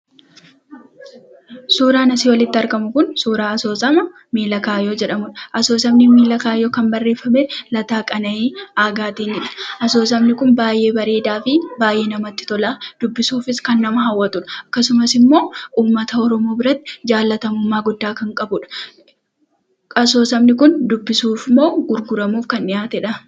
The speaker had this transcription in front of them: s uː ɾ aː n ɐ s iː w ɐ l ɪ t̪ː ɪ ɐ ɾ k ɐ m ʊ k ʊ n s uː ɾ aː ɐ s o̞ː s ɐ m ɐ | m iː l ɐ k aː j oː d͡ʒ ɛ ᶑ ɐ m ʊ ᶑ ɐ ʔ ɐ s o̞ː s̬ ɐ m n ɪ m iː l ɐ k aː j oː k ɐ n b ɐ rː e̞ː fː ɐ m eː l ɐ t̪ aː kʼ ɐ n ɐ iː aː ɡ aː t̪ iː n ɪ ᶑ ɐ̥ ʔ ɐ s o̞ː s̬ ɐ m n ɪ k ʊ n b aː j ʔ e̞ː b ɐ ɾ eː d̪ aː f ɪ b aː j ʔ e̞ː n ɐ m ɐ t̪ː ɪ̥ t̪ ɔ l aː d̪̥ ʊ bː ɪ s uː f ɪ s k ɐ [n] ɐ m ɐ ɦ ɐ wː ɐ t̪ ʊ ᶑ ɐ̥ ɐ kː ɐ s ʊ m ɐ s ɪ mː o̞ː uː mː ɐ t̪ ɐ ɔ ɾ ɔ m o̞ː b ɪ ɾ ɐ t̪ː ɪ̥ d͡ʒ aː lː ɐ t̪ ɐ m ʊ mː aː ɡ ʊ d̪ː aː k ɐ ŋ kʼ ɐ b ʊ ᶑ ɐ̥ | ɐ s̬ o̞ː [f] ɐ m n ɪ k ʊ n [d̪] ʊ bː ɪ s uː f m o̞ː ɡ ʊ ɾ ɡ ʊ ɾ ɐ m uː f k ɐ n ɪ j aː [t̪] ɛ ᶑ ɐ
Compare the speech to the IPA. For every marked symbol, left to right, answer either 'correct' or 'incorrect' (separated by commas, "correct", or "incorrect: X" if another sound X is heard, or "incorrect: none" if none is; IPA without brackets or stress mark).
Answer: incorrect: nː, incorrect: s, correct, correct